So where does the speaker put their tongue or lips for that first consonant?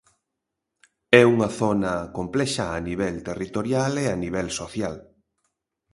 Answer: velum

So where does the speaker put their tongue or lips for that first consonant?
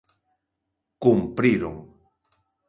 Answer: velum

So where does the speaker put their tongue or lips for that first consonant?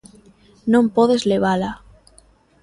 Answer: tongue tip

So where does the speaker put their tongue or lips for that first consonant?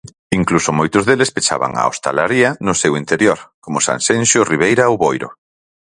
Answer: velum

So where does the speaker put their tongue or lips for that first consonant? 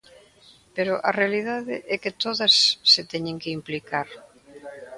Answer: lips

